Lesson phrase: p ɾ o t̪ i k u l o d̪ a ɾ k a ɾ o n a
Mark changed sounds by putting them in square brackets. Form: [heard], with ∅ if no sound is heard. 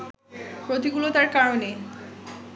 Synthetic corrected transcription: p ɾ o t̪ i [ɡ] u l o [t̪] a ɾ k a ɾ o n [e]